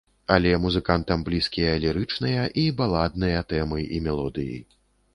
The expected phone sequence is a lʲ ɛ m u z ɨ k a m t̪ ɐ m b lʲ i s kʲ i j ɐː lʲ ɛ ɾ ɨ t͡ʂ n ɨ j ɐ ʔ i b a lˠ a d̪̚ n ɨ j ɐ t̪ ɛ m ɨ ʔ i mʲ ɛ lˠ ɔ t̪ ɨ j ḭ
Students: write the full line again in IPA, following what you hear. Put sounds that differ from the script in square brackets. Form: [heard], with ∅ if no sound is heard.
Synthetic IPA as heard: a lʲ ɛ m u z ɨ k a [n] t̪ ɐ m b lʲ i s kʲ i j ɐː lʲ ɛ ɾ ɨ t͡ʂ n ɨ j ɐ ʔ i b a lˠ a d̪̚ n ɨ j ɐ t̪ ɛ m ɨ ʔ i mʲ ɛ lˠ ɔ [d̪] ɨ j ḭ